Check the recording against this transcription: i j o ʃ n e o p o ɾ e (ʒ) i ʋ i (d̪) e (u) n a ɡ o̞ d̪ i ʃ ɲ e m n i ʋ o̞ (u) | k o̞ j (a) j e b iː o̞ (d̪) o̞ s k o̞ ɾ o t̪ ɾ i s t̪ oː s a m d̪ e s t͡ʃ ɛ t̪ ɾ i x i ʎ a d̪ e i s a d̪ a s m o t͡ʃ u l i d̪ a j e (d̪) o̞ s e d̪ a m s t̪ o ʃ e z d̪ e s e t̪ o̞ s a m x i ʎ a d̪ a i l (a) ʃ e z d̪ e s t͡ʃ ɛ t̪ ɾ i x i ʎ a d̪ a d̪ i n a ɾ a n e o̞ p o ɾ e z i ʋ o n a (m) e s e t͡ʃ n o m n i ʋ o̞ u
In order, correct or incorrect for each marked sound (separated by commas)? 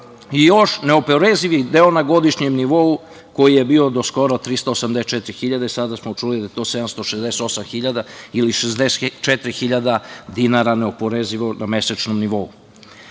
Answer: incorrect, correct, incorrect, correct, incorrect, correct, incorrect, incorrect, correct